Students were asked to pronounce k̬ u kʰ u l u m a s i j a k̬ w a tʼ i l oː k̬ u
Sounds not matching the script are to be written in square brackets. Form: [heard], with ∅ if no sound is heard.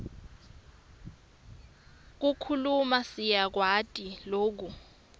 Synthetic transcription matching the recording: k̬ u kʰ u l u m a s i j a k̬ w a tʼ i l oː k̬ u